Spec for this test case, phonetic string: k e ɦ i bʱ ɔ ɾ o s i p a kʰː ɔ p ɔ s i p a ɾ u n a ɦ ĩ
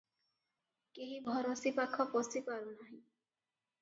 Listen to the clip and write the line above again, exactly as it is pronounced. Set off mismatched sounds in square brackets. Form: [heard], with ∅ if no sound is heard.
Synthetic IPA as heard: k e ɦ i bʱ ɔ ɾ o s i p a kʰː ɔ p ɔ s i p a ɾ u n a ɦ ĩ